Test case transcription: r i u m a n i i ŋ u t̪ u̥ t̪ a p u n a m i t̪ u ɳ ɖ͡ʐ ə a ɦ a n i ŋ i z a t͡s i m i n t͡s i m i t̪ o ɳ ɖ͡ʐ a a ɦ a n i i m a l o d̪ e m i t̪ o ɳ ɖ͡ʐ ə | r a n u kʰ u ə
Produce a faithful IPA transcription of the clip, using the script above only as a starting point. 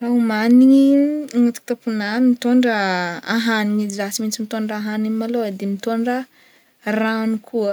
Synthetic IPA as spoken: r a u m a n i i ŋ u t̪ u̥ t̪ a p u n a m i t̪ o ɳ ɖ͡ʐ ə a ɦ a n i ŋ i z a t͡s i m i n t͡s i m i t̪ o ɳ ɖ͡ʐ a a ɦ a n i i m a l o d̪ e m i t̪ o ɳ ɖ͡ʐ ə | r a n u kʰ u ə